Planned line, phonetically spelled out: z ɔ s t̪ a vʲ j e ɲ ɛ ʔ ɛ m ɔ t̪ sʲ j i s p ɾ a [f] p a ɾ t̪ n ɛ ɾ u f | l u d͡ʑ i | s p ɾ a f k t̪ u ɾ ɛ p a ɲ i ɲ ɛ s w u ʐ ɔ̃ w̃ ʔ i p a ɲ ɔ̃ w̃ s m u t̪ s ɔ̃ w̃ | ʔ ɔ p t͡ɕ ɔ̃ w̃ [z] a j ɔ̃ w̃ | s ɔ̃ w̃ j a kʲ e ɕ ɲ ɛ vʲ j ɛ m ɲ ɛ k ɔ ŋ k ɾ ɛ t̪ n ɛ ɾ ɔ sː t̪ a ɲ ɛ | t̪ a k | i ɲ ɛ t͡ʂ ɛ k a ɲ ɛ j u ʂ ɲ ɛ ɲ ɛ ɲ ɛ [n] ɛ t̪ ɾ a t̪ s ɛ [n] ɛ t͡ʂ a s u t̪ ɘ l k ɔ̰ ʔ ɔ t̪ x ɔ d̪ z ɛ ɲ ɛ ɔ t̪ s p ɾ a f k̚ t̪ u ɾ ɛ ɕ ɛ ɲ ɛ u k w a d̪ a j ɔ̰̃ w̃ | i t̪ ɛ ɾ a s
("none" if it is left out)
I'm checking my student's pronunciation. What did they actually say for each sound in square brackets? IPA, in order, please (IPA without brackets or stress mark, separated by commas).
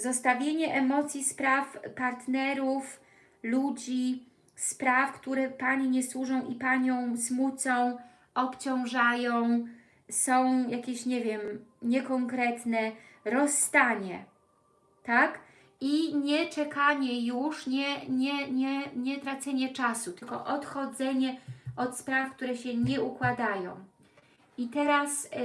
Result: f, ʐ, ɲ, ɲ